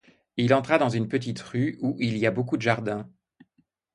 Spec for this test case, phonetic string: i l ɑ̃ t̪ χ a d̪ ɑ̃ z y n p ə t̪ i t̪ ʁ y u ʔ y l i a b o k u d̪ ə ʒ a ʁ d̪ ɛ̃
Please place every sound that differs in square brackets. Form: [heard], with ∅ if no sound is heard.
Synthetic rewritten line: i l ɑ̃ t̪ χ a d̪ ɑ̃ z y n p ə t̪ i t̪ ʁ y u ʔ [i] l i a b o k u d̪ ə ʒ a ʁ d̪ ɛ̃